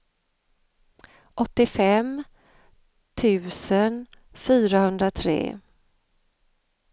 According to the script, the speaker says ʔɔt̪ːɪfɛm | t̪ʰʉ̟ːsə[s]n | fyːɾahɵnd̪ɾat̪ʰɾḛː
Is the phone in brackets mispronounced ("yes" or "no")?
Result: yes